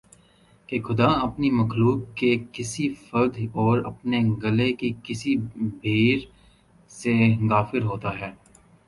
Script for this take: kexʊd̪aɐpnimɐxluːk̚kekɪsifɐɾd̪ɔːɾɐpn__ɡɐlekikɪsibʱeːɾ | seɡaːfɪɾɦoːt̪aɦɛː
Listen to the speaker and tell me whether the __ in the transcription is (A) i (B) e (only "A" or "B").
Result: B